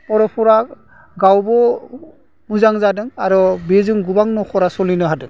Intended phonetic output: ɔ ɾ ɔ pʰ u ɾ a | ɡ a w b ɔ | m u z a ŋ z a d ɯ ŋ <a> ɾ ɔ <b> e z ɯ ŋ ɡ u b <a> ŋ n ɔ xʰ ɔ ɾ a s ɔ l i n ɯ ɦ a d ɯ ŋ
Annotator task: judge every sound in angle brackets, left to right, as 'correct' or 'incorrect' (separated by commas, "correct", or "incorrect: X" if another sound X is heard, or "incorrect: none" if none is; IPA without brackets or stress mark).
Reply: correct, correct, correct